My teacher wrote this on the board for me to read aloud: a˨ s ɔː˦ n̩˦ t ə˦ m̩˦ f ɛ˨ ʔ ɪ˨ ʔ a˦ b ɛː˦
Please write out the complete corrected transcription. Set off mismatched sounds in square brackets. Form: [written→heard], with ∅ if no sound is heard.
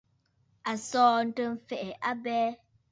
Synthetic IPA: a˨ s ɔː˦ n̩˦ t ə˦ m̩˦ f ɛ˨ ʔ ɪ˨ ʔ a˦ b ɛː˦